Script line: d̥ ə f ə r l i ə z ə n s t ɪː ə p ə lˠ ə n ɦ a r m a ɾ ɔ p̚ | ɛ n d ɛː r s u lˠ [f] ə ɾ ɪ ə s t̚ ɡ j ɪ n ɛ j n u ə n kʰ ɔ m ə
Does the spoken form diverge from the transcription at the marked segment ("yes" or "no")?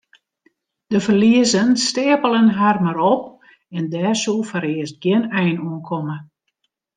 no